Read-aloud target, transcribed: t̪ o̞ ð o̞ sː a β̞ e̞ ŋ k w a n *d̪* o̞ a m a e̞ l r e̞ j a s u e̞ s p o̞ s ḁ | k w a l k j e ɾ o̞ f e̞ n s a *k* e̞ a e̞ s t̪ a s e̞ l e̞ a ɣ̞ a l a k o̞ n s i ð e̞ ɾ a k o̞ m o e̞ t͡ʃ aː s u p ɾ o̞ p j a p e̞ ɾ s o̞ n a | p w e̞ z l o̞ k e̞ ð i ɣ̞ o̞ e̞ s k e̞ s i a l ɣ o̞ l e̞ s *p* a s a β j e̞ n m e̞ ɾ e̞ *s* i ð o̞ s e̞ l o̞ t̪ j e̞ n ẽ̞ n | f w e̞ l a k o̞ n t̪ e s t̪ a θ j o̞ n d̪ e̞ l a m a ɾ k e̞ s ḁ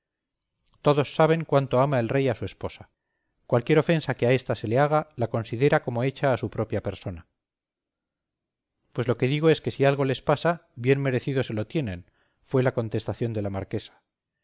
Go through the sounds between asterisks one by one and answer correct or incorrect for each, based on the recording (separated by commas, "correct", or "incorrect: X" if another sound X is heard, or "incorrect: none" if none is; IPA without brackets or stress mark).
incorrect: t̪, correct, correct, incorrect: θ